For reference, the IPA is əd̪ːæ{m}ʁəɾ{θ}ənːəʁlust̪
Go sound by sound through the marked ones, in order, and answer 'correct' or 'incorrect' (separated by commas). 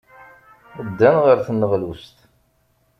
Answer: incorrect, correct